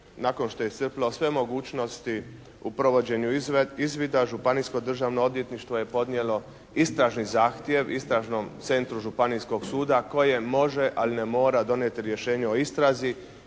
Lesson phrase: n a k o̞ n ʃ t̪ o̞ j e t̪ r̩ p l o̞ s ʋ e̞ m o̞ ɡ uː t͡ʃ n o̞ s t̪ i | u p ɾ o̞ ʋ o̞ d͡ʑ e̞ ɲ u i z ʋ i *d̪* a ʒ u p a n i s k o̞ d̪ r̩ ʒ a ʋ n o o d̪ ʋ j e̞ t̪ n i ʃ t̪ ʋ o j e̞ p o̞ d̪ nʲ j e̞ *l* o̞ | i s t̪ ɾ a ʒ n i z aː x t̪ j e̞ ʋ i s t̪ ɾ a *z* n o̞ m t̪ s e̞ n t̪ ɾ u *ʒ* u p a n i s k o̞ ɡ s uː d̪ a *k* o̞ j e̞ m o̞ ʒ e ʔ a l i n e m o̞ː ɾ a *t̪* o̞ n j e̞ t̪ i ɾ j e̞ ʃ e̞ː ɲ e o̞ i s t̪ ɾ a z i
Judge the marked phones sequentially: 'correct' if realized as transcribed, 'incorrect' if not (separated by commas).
correct, correct, incorrect, correct, correct, incorrect